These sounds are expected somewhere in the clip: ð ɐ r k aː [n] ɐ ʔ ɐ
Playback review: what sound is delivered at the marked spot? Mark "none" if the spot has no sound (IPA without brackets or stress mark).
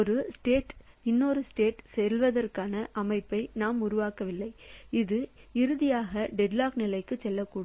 n